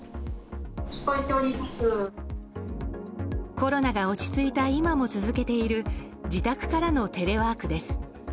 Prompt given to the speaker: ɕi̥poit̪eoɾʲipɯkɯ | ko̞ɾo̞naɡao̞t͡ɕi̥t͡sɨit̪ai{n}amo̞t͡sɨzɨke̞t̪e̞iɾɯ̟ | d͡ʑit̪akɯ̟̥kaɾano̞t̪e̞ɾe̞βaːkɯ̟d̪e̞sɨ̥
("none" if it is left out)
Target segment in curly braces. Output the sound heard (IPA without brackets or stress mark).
m